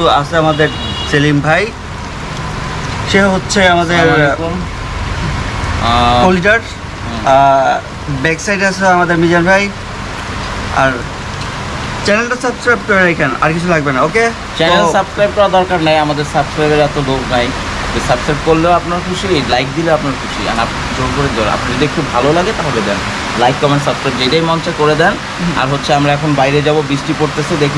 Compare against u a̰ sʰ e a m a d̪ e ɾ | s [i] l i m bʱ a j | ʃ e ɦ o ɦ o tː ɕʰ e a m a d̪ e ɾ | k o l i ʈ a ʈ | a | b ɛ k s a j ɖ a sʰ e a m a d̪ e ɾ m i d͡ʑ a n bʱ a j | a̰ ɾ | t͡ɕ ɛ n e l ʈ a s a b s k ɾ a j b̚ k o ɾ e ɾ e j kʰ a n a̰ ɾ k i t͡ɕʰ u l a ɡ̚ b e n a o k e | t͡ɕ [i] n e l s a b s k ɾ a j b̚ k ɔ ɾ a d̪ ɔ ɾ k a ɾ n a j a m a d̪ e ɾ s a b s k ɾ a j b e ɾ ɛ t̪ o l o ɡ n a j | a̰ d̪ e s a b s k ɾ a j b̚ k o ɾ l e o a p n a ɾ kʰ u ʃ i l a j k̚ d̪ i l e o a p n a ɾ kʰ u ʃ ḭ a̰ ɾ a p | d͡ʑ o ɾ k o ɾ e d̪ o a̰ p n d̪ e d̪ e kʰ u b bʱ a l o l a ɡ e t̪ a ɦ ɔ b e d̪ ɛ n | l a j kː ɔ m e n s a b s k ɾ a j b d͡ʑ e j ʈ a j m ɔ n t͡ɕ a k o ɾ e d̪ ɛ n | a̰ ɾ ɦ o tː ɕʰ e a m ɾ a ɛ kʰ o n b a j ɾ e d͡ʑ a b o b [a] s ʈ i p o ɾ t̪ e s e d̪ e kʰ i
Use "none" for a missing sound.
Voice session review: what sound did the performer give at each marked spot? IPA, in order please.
e, ɛ, i

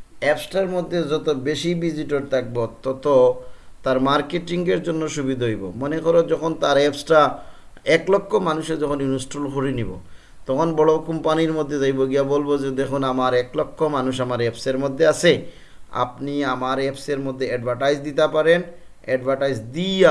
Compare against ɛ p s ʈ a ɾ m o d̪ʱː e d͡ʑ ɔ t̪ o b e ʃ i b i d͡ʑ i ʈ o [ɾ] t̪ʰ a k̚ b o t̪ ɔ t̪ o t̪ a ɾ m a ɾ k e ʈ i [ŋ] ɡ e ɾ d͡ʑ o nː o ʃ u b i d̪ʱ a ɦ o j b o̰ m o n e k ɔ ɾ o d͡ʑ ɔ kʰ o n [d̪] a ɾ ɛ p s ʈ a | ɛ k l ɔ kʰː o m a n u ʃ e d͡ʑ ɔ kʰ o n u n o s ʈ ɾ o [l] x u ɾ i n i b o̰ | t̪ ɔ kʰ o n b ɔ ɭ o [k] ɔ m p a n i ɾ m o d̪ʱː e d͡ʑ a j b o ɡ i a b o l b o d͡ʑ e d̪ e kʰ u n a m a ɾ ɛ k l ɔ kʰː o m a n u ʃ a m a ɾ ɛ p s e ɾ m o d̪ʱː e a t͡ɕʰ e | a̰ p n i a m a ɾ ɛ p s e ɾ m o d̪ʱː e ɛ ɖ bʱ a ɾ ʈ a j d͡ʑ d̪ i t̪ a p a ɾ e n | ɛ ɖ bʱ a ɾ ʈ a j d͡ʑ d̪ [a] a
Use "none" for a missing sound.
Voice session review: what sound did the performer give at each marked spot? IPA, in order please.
ɾ, ŋ, t̪, l, k, i

